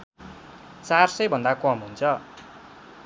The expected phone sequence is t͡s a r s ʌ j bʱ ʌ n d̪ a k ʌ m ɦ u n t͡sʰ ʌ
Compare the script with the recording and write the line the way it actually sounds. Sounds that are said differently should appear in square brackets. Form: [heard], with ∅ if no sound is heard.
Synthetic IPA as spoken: t͡s a r s ʌ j bʱ ʌ n d̪ a k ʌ m ɦ u n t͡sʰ ʌ